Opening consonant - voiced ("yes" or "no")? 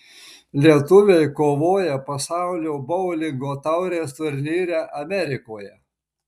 yes